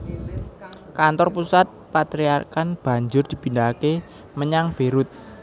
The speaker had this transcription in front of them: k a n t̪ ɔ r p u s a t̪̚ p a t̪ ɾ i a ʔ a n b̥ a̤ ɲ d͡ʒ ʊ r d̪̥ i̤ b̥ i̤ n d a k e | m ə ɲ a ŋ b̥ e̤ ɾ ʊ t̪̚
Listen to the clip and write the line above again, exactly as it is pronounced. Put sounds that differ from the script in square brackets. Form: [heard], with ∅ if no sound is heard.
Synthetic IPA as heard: k a n t̪ ɔ r p u s a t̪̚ p a t̪ ɾ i a [k] a n b̥ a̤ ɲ d͡ʒ ʊ r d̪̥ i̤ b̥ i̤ n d a k e | m ə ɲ a ŋ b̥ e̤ ɾ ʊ t̪̚

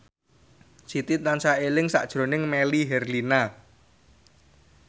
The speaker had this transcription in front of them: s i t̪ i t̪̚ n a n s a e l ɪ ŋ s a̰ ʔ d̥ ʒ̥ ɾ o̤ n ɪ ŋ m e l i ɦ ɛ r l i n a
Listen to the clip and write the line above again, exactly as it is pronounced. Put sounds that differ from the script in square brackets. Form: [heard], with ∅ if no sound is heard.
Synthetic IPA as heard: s i t̪ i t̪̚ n a n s a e l ɪ ŋ s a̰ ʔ d̥ ʒ̥ ɾ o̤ n ɪ ŋ m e l i ɦ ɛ r l i n a

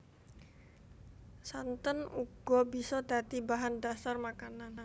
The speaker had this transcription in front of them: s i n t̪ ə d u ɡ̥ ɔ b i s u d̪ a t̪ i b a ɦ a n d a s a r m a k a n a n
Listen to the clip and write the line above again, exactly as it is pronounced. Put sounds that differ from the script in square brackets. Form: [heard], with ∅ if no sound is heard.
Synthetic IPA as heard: s [a] n t̪ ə [n] u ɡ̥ ɔ b i s [ɔ] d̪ a t̪ i b a ɦ a n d a s a r m a k a n a n

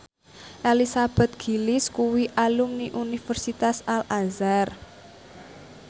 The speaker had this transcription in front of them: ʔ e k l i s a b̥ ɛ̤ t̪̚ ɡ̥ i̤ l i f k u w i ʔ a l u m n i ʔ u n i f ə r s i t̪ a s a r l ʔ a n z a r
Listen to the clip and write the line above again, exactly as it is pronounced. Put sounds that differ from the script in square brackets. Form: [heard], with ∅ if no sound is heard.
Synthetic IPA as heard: ʔ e [∅] l i s a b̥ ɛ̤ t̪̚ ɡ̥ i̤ l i [s] k u w i ʔ a l u m n i ʔ u n i f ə r s i t̪ a s a [∅] l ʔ a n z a r

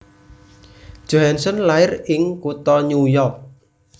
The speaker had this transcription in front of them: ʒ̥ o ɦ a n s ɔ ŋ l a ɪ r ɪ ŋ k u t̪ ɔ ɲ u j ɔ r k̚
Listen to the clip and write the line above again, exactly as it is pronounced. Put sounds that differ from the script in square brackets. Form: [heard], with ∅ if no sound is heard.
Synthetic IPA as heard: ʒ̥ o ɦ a n s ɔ [n] l a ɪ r ɪ ŋ k u t̪ ɔ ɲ u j ɔ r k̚

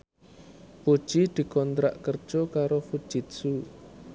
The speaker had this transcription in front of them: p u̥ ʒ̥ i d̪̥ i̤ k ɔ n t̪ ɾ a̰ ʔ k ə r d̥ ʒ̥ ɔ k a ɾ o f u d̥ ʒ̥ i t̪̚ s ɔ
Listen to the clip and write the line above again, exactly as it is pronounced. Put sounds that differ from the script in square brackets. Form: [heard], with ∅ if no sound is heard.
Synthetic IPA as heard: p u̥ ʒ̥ i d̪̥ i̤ k ɔ n t̪ ɾ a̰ ʔ k ə r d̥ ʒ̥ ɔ k a ɾ o f u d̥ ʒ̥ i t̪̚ s [u]

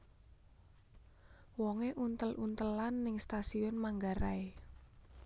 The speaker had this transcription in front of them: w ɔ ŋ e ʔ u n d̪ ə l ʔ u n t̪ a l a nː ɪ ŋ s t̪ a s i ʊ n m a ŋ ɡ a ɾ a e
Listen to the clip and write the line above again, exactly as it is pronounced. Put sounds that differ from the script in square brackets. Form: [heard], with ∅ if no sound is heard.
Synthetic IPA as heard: w ɔ ŋ e ʔ u n [t̪] ə l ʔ u n t̪ [ə] l a nː ɪ ŋ s t̪ a s i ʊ n m a ŋ ɡ a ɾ a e

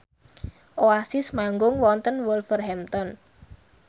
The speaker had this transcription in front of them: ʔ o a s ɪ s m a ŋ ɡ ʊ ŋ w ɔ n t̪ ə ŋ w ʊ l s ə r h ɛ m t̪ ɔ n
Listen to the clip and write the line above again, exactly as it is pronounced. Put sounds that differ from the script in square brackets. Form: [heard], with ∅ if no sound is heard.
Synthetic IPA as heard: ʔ o a s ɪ s m a ŋ ɡ ʊ ŋ w ɔ n t̪ ə [n] w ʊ l [f] ə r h ɛ m t̪ ɔ n

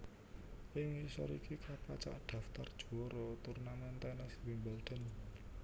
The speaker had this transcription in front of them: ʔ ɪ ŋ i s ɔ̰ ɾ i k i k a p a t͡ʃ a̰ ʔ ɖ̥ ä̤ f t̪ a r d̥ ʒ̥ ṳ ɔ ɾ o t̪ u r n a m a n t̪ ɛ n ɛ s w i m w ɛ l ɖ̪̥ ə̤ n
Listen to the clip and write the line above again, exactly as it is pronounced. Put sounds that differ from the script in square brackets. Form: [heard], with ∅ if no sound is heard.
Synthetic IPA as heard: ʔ ɪ ŋ i s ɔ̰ ɾ i k i k a p a t͡ʃ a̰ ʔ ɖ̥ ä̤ f t̪ a r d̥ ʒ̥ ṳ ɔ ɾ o t̪ u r n a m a n t̪ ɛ n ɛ s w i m [b] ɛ l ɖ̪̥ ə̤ n

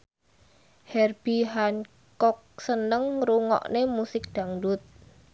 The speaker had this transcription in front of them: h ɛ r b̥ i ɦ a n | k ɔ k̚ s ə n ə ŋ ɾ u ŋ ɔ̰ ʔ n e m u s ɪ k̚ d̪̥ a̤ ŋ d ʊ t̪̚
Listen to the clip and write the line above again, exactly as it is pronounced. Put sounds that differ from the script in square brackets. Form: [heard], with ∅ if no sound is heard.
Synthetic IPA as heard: h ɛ r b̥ i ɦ a n | k ɔ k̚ s ə n ə ŋ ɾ u ŋ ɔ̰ ʔ n e m u s ɪ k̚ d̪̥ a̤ ŋ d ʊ t̪̚

